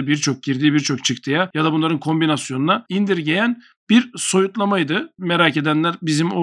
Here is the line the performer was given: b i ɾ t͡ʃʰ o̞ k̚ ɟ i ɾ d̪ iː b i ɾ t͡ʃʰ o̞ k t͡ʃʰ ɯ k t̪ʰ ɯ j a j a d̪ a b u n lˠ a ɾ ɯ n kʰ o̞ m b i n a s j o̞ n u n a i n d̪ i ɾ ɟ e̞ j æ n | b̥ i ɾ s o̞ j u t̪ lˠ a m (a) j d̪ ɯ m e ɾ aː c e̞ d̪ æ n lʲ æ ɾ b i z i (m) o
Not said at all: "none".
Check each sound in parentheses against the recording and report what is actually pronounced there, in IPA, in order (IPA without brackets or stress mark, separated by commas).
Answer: a, m